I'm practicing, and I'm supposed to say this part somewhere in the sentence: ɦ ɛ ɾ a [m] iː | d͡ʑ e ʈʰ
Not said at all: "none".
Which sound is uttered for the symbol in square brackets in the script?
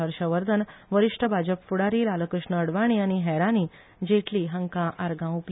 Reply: n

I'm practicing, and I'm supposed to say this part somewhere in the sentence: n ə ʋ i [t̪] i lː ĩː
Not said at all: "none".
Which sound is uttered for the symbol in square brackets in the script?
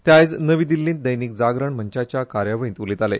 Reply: d̪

